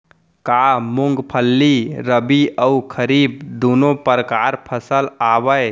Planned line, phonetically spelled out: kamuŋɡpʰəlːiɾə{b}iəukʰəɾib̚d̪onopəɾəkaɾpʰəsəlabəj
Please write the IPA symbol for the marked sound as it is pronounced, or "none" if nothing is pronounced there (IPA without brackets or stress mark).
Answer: b